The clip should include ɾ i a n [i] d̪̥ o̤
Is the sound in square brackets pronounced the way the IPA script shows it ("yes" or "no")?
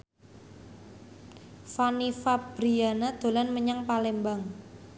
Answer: no